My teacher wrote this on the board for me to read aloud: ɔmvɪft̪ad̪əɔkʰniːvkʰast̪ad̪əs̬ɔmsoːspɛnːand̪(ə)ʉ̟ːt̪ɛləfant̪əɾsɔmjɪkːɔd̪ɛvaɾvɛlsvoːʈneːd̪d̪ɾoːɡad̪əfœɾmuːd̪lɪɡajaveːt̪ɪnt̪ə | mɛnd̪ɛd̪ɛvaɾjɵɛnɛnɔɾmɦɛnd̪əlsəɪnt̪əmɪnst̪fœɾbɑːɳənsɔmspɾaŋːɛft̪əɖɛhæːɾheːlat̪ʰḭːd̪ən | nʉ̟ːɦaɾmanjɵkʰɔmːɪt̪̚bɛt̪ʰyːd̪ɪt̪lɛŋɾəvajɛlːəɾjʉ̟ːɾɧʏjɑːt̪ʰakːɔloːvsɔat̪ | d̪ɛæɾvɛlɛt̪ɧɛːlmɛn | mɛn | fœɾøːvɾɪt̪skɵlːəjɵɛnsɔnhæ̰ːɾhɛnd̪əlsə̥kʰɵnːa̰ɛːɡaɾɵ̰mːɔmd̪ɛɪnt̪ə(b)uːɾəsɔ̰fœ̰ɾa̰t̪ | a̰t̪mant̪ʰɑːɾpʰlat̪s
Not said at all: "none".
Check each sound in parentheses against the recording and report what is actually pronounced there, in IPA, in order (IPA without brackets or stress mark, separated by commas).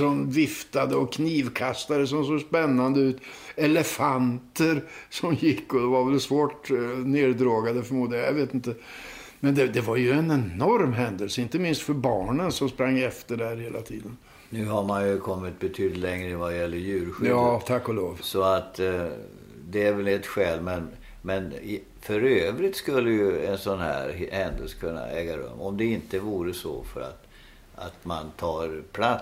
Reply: ə, v